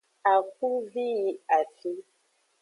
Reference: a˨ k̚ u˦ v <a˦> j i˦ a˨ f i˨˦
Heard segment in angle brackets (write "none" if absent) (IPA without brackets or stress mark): i˦